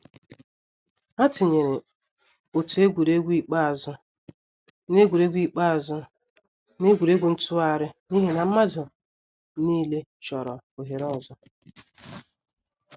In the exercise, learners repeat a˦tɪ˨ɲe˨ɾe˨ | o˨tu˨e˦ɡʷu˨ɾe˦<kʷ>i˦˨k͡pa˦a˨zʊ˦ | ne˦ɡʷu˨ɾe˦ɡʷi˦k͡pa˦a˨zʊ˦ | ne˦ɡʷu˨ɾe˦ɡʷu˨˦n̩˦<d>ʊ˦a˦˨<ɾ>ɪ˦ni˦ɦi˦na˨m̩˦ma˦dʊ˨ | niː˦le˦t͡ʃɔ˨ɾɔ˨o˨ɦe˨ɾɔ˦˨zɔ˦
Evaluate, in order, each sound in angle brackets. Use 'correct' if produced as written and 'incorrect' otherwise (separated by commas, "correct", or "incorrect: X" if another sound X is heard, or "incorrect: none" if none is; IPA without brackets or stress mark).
incorrect: ɡʷ, incorrect: t, correct